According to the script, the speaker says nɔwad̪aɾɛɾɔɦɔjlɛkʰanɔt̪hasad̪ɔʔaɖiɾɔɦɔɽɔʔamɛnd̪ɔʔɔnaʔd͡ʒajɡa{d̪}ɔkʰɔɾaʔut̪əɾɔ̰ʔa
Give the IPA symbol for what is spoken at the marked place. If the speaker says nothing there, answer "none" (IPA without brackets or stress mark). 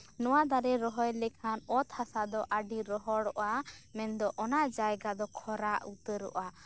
d̪